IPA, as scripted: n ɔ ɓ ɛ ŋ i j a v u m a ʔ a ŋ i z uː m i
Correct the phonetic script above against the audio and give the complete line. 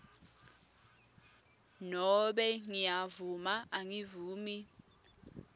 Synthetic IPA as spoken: n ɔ ɓ ɛ ŋ i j a v u m a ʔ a ŋ i v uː m i